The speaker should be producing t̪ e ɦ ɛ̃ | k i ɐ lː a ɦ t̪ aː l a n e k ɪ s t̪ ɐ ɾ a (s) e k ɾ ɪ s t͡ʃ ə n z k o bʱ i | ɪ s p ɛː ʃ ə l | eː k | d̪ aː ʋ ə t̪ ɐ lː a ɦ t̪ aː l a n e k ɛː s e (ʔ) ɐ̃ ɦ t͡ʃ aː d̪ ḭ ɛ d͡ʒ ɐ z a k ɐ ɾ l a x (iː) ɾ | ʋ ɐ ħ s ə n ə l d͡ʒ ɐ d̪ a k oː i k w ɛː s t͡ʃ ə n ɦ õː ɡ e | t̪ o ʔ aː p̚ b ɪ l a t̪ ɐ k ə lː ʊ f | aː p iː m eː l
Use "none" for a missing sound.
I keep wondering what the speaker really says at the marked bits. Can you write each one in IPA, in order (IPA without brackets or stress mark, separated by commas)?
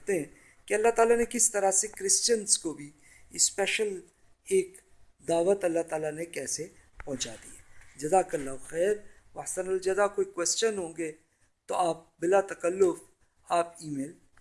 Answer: s, p, ɛː